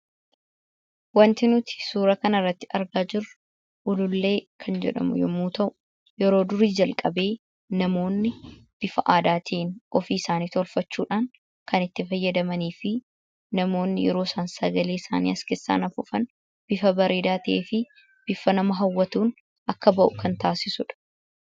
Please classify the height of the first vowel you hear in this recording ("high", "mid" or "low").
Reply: low